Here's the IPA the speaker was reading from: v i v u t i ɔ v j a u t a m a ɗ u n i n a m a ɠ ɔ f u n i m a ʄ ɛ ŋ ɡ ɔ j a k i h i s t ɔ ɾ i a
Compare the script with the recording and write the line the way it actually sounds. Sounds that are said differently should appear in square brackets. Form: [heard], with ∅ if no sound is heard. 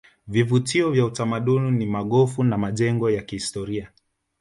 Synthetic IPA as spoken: v i v u t i ɔ v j a u t a m a ɗ u n i n [i] m a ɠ ɔ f u n [a] m a ʄ ɛ ŋ ɡ ɔ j a k i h i s t ɔ ɾ i a